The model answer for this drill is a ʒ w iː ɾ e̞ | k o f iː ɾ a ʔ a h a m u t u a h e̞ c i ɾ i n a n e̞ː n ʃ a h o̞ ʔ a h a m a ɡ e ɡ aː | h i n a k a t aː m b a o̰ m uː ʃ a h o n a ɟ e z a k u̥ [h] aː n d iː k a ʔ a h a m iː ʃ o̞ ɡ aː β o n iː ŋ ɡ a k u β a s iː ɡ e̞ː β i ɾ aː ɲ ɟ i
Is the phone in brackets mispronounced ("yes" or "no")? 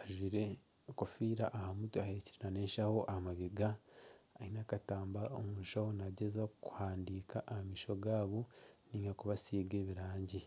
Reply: no